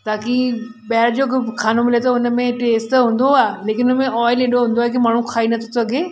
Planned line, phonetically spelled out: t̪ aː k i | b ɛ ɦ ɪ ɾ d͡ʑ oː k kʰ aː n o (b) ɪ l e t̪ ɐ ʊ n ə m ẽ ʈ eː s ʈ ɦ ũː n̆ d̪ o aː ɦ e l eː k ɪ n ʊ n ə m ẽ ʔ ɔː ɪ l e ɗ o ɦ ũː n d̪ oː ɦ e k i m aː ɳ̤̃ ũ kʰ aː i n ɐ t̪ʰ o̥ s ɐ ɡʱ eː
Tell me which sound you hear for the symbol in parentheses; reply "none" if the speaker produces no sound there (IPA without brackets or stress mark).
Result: m